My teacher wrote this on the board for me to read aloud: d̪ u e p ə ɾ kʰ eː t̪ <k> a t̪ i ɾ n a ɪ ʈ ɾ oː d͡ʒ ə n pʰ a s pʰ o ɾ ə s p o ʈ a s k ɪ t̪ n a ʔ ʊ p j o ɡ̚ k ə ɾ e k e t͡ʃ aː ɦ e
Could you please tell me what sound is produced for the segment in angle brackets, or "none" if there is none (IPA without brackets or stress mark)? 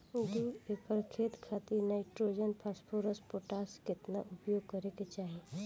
kʰ